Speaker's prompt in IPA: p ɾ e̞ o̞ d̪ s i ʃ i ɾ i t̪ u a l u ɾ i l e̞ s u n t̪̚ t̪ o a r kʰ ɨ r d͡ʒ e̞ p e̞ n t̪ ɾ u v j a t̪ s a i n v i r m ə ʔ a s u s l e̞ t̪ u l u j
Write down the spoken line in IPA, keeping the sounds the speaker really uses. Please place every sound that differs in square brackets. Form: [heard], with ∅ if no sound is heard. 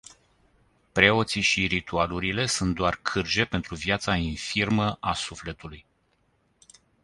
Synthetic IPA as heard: p ɾ e̞ o̞ [t̪] s i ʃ i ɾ i t̪ u a l u ɾ i l e̞ s u n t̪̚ [d̪] o a r kʰ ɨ r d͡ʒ e̞ p e̞ n t̪ ɾ u v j a t̪ s a i n [f] i r m ə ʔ a s u [f] l e̞ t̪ u l u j

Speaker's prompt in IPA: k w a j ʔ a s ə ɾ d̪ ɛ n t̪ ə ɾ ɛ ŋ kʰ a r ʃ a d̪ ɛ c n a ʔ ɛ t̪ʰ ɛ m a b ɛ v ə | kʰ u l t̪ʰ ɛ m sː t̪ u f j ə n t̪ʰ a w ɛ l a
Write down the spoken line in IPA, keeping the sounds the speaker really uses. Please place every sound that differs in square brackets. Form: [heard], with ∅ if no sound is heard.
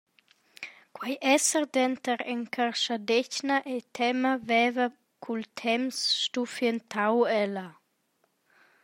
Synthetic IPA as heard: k w a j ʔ [ɛ] s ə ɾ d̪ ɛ n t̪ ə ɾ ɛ ŋ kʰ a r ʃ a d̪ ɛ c n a ʔ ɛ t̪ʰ ɛ m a [v] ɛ v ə | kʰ u l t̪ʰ ɛ m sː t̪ u f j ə n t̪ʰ a w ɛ l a

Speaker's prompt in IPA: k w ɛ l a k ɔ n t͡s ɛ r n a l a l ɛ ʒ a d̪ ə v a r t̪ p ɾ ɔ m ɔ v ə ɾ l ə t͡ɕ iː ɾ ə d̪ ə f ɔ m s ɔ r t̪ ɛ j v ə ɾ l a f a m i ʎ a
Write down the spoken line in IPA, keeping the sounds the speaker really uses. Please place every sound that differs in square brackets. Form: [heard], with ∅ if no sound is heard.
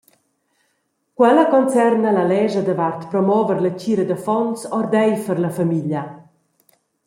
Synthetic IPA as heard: k w ɛ l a k ɔ n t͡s ɛ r n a l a l ɛ ʒ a d̪ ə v a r t̪ p ɾ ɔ m ɔ v ə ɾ l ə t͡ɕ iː ɾ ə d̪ ə f ɔ [n] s ɔ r [d̪] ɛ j [f] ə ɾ l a f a m i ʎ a

